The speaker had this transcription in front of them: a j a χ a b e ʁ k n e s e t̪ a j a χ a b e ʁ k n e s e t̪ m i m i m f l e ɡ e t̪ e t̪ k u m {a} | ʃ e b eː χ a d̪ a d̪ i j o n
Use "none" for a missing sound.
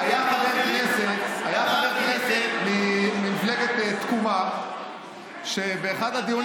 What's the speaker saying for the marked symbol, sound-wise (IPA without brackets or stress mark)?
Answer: a